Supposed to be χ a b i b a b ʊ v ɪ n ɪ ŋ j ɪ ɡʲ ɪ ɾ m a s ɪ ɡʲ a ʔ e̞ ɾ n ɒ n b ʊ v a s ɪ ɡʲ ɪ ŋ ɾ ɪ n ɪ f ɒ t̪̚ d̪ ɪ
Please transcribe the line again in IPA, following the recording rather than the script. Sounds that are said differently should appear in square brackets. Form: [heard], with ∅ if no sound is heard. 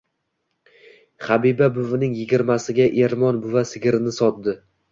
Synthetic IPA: χ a b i b a b ʊ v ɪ n ɪ ŋ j ɪ ɡʲ ɪ ɾ m a s ɪ ɡʲ a ʔ e̞ ɾ [m] ɒ n b ʊ v a s ɪ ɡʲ ɪ [∅] ɾ ɪ n ɪ [s] ɒ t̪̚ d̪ ɪ